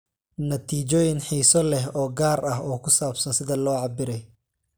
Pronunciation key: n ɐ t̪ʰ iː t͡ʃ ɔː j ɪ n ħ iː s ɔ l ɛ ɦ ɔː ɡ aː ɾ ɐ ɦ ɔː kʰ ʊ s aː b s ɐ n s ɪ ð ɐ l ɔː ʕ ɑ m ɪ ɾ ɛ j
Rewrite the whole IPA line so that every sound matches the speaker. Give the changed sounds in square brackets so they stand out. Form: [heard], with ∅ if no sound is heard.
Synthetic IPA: n ɐ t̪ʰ iː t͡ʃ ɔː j ɪ n ħ iː s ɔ l ɛ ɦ ɔː ɡ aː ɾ ɐ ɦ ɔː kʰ ʊ s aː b s ɐ n s ɪ ð ɐ l ɔː ʕ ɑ [b] ɪ ɾ ɛ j